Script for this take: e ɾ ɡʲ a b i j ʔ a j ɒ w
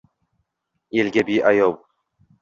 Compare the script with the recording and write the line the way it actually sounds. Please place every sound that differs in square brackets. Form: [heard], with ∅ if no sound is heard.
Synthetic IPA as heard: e [l] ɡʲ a b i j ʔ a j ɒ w